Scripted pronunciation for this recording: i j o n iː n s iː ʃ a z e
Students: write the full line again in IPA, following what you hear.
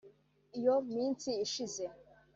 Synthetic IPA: i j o m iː n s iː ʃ i z e